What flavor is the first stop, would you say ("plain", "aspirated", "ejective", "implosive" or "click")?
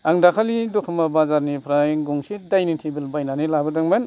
plain